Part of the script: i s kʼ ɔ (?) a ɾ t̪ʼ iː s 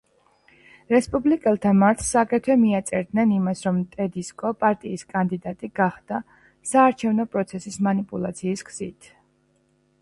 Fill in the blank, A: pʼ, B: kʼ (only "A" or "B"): A